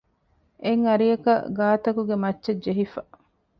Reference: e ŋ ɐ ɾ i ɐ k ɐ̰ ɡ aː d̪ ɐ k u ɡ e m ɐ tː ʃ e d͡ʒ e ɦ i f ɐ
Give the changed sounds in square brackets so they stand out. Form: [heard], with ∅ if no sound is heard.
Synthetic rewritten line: e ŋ ɐ ɾ i ɐ k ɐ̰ ɡ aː [t̪] ɐ k u ɡ e m ɐ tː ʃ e d͡ʒ e ɦ i f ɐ

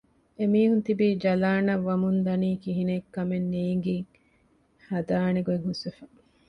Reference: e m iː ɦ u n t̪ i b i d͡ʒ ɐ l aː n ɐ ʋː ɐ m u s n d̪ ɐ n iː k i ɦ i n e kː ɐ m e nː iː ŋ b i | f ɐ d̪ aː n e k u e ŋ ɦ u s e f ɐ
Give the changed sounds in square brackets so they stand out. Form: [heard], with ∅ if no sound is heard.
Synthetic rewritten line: e m iː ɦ u n t̪ i b i d͡ʒ ɐ l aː n ɐ ʋː ɐ m u [∅] n d̪ ɐ n iː k i ɦ i n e kː ɐ m e nː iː ŋ [ɡ] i | [h] ɐ d̪ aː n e [ɡ] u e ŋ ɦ u s e f ɐ

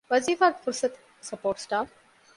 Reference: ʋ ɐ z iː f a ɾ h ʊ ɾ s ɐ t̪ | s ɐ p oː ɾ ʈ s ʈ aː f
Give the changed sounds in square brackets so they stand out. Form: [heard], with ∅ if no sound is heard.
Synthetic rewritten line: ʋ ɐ z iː f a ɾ [f] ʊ ɾ s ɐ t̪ | s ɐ p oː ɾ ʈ s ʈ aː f

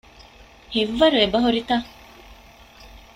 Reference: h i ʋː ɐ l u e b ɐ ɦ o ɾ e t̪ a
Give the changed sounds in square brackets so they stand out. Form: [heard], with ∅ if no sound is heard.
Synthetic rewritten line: h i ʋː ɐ [ɾ] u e b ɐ ɦ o ɾ [i] t̪ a

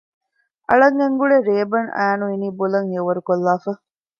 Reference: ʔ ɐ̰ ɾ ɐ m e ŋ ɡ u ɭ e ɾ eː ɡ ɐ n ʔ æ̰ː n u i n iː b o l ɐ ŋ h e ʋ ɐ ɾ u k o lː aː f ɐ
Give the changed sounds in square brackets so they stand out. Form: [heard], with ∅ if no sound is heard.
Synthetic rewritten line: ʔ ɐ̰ [ɭ] ɐ [ŋ] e ŋ ɡ u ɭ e ɾ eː [b] ɐ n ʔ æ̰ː n u i n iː b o l ɐ ŋ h e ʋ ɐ ɾ u k o lː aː f ɐ

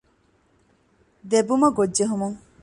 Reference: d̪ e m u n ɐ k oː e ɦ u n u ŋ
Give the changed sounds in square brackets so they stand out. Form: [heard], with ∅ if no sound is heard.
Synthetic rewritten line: d̪ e [b] u [m] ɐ [ɡ] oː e ɦ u [m] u ŋ

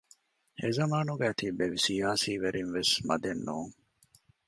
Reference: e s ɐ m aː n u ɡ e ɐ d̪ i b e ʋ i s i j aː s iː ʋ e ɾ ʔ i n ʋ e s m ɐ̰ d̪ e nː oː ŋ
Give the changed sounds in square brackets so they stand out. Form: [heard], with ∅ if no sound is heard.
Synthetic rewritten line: e [z] ɐ m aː n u ɡ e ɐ [t̪] i b e ʋ i s i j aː s iː ʋ e ɾ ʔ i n ʋ e s m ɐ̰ d̪ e nː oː ŋ

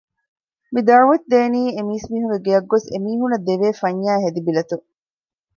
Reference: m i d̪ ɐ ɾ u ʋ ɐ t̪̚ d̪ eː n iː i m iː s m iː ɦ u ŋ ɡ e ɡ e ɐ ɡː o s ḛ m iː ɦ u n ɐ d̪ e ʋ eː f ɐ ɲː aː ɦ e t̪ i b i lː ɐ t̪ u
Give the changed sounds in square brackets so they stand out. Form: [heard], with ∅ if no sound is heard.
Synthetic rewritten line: m i d̪ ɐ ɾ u ʋ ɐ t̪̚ d̪ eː n iː [e] m iː s m iː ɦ u ŋ ɡ e ɡ e ɐ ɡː o s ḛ m iː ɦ u n ɐ d̪ e ʋ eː f ɐ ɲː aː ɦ e [d̪] i b i [l] ɐ t̪ u

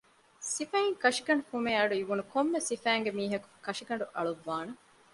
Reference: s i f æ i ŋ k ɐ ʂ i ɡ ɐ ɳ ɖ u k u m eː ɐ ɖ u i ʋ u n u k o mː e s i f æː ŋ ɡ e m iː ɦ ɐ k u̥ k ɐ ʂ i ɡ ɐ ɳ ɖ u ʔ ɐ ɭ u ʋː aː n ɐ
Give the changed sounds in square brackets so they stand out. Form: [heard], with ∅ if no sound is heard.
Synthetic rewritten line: s i f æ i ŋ k ɐ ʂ i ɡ ɐ ɳ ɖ u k u m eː ɐ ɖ u i ʋ u n u k o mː e s i f æː ŋ ɡ e m iː ɦ ɐ k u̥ k ɐ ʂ i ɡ ɐ ɳ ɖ u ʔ ɐ ɭ u ʋː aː n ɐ

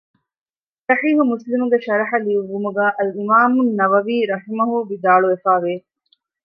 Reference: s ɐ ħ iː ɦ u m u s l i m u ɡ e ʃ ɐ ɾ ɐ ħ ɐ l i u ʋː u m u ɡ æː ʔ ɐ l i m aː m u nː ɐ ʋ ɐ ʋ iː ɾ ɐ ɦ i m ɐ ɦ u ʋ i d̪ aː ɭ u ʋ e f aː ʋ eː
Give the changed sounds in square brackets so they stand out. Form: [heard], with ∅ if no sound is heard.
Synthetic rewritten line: s ɐ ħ iː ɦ u m u s l i m u ɡ e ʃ ɐ ɾ ɐ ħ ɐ l i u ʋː u m u ɡ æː ʔ ɐ l i m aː m u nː ɐ ʋ ɐ ʋ iː ɾ ɐ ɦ i m ɐ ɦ u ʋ i d̪ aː ɭ u ʋ e f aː ʋ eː

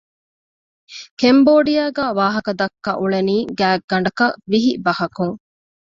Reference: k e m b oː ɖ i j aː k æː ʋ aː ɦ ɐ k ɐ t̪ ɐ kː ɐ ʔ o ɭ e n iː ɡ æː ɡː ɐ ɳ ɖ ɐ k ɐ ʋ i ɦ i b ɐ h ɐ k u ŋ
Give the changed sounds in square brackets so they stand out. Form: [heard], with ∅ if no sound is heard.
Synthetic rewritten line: k e m b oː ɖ i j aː [ɡ] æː ʋ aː ɦ ɐ k ɐ [d̪] ɐ kː ɐ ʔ [u] ɭ e n iː ɡ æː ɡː ɐ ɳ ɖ ɐ k ɐ ʋ i ɦ i b ɐ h ɐ k u ŋ

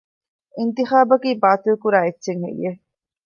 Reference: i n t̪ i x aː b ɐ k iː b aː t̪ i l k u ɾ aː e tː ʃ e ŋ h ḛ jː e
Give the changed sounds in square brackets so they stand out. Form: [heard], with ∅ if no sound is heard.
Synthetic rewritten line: i n t̪ i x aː b ɐ k iː b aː t̪ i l k u ɾ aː e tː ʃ e ŋ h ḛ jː e

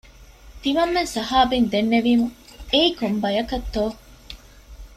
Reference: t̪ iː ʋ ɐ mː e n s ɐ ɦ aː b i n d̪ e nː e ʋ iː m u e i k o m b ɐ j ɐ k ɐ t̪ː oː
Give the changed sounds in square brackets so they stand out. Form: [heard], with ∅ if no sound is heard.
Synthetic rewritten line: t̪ [i] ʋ ɐ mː e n s ɐ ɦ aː b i n d̪ e nː e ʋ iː m u e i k o m b ɐ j ɐ k ɐ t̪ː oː

